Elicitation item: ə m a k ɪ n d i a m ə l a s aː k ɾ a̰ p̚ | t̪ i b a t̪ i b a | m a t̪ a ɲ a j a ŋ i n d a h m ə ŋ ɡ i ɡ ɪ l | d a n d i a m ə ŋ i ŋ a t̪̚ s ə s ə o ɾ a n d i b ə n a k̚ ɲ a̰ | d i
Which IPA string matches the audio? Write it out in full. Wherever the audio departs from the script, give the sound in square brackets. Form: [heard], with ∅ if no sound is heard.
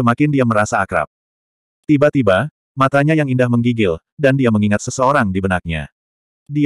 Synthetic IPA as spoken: ə m a k ɪ n d i a m ə [ɾ] a s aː k ɾ a̰ p̚ | t̪ i b a t̪ i b a | m a t̪ a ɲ a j a ŋ i n d a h m ə ŋ ɡ i ɡ ɪ l | d a n d i a m ə ŋ i ŋ a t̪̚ s ə s ə o ɾ a [ŋ] d i b ə n a k̚ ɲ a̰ | d i